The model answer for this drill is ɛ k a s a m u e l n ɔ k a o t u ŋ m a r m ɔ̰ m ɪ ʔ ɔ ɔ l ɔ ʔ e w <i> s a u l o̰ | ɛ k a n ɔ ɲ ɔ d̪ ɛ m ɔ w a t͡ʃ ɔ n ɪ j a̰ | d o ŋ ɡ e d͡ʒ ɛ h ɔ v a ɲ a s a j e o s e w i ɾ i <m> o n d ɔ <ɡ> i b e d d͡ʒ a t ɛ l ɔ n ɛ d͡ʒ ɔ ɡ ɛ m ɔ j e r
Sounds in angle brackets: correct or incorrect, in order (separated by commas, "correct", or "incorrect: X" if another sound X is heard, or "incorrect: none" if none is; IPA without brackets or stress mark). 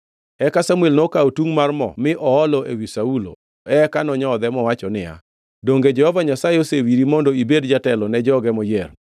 correct, correct, incorrect: none